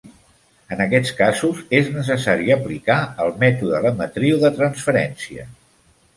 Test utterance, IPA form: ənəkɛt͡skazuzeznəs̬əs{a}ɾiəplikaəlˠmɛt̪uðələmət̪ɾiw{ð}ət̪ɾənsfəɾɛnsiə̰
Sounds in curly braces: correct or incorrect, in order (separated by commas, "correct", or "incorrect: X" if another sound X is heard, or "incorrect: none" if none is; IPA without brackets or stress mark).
correct, correct